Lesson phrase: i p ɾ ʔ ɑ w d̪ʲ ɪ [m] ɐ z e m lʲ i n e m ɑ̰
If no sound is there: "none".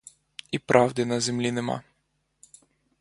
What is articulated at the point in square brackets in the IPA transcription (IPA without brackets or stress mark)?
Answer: n